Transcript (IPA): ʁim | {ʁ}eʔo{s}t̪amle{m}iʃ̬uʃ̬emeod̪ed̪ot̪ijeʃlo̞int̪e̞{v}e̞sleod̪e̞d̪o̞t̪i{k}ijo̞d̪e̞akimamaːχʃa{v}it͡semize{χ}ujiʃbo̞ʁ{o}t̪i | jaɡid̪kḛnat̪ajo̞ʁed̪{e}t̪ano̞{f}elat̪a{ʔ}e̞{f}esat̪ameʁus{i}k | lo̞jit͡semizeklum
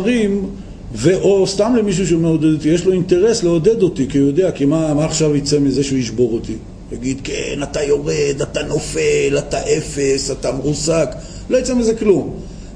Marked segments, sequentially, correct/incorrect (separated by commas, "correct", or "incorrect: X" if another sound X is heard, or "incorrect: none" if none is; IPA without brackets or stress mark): incorrect: v, correct, correct, incorrect: ʁ, correct, correct, incorrect: ʃ, correct, incorrect: a, correct, correct, correct, incorrect: a